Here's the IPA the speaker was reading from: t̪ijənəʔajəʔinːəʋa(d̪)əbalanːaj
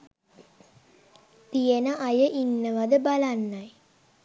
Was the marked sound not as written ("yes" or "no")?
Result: no